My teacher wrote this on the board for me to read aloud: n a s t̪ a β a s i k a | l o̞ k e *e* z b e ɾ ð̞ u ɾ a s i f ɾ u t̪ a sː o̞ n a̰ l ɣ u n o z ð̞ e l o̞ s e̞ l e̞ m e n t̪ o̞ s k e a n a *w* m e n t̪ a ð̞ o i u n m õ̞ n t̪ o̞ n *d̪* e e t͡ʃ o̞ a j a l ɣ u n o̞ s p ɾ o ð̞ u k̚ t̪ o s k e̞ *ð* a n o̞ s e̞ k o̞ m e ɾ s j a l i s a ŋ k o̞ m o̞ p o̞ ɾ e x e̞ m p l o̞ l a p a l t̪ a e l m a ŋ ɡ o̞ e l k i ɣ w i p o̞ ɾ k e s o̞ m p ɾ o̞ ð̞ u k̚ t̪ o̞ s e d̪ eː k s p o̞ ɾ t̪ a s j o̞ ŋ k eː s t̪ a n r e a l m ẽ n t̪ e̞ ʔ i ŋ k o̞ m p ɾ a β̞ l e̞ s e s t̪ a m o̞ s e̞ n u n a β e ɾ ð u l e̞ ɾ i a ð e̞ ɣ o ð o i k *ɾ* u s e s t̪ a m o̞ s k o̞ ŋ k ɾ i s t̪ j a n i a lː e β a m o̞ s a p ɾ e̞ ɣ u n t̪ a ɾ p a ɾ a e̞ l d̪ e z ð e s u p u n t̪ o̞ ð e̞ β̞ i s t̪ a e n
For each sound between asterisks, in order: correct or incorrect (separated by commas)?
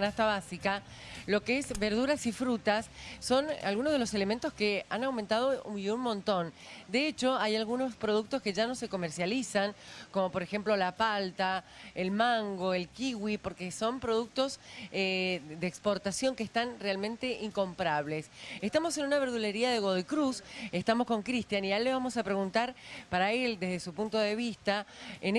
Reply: correct, correct, correct, incorrect, correct